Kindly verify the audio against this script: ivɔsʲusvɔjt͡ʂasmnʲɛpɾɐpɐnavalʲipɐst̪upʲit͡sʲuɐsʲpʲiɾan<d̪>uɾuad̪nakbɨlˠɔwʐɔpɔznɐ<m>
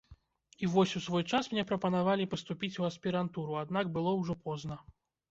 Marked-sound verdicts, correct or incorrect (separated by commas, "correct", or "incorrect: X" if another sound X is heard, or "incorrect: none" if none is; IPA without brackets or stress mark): incorrect: t̪, incorrect: none